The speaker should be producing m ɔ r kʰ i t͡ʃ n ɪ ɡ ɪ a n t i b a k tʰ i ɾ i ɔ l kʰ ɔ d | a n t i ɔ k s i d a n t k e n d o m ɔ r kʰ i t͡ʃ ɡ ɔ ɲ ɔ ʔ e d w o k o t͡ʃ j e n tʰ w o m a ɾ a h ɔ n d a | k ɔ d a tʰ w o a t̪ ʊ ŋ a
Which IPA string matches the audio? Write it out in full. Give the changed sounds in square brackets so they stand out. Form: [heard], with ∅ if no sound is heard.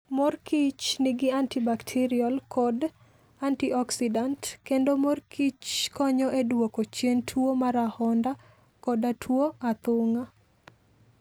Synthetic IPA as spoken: m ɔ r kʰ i t͡ʃ n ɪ ɡ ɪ a n t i b a k tʰ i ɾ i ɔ l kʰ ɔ d | a n t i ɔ k s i d a n t k e n d o m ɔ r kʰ i t͡ʃ [k] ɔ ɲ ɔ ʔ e d w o k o t͡ʃ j e n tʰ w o m a ɾ a h ɔ n d a | k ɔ d a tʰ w o a t̪ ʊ ŋ a